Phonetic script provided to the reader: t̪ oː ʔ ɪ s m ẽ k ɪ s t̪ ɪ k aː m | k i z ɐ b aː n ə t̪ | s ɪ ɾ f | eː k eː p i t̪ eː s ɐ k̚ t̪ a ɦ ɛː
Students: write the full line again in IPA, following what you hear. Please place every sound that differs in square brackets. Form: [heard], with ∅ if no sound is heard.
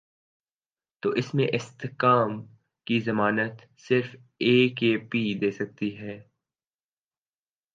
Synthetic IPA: t̪ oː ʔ ɪ s m ẽ [ʔ] ɪ s t̪ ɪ k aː m | k i z ɐ [m] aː n ə t̪ | s ɪ ɾ f | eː k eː p i [d̪] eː s ɐ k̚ t̪ [i] ɦ ɛː